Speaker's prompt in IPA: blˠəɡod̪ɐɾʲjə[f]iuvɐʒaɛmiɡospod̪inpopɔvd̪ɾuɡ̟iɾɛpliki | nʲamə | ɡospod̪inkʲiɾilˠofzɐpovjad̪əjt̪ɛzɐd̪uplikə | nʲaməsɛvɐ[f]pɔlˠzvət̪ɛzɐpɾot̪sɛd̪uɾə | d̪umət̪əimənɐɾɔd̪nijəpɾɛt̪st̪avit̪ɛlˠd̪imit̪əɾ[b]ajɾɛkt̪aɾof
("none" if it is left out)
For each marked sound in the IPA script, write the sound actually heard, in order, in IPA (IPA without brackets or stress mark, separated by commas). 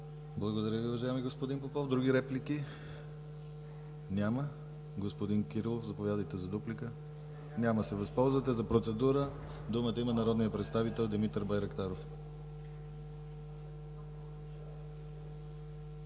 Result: v, s, b